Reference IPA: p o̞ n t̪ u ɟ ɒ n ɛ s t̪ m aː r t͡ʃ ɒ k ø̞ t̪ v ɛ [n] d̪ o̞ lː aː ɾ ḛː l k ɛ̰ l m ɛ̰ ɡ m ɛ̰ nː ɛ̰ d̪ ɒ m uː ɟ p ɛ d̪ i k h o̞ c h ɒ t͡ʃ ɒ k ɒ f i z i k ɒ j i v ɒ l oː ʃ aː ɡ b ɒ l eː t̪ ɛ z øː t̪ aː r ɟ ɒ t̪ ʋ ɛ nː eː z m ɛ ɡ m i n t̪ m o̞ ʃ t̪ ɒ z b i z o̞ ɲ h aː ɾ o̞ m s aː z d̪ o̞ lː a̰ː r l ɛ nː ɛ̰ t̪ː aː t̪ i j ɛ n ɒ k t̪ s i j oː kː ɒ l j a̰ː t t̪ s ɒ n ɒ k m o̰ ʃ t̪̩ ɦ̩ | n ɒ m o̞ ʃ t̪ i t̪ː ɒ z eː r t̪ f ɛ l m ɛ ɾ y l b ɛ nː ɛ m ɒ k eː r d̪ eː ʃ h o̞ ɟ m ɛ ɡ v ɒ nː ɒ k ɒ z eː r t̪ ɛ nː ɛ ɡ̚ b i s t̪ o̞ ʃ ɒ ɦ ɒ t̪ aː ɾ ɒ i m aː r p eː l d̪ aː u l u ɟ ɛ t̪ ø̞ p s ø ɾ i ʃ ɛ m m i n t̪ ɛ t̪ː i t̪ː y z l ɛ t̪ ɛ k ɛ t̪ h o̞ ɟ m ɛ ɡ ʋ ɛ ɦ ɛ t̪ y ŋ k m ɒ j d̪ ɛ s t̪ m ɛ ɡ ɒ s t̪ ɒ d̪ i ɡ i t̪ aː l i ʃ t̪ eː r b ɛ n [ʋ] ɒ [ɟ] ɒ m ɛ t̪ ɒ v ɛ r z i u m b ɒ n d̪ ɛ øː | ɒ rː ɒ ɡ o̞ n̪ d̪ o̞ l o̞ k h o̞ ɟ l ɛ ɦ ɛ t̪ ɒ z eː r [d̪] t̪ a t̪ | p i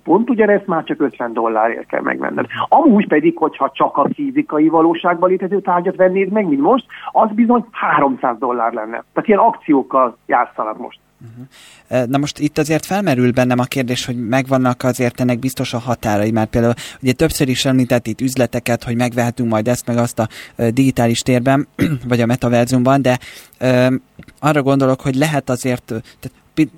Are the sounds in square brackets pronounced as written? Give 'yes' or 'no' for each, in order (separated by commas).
yes, no, yes, no